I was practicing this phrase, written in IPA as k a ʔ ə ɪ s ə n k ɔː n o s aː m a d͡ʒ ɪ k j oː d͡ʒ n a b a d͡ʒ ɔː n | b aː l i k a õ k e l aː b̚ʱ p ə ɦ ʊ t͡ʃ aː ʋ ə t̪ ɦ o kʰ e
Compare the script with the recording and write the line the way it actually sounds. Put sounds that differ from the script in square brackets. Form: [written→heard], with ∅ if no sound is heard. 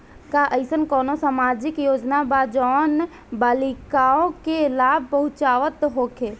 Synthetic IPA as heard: k a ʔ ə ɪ s ə n k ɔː n o s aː m a d͡ʒ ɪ k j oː d͡ʒ n a b a d͡ʒ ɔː n | b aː l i k a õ k e l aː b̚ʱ p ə ɦ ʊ t͡ʃ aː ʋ ə t̪ ɦ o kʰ e